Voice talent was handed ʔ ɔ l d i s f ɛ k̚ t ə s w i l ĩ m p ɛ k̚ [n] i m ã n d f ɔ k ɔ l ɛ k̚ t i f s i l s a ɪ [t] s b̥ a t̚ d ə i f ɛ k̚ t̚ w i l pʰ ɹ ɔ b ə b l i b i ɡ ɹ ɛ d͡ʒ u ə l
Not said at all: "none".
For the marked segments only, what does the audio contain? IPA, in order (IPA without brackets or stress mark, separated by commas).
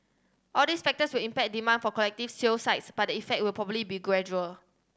d, t